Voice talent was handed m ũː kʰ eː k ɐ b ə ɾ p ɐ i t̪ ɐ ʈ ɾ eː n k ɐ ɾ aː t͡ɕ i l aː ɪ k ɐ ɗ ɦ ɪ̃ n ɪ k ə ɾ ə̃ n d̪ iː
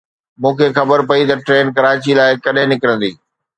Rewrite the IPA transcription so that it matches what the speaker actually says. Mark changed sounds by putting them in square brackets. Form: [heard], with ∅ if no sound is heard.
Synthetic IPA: m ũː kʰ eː [x] ɐ b ə ɾ p ɐ i t̪ ɐ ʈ ɾ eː n k ɐ ɾ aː t͡ɕ i l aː ɪ k ɐ ɗ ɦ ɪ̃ n ɪ k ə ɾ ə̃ n d̪ iː